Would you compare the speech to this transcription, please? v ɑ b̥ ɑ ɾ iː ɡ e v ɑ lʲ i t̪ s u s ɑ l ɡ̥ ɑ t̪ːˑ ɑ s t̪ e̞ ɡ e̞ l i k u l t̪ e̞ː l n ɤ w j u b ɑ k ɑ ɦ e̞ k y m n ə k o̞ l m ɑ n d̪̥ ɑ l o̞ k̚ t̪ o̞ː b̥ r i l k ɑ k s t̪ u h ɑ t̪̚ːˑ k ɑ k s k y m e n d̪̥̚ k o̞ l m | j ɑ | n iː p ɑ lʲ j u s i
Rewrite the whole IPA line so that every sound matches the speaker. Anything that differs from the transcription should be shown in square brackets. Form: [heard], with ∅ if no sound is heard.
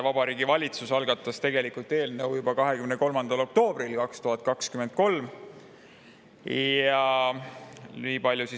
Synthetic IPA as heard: v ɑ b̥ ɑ ɾ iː ɡ [i] v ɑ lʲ i t̪ s u s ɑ l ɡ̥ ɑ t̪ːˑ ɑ s t̪ e̞ ɡ e̞ l i k u l t̪ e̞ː l n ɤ w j u b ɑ k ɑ ɦ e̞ k y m n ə k o̞ l m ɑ n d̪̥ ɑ l o̞ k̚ t̪ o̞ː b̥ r i l k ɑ k s t̪ u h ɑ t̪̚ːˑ k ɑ k s k y m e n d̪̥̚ k o̞ l m | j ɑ | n iː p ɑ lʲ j u s i